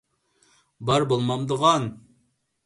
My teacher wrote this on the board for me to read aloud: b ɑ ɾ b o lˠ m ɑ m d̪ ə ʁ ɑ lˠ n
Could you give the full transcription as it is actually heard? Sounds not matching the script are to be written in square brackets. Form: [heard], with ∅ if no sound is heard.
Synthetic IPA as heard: b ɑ ɾ b o lˠ m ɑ m d̪ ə ʁ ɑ [∅] n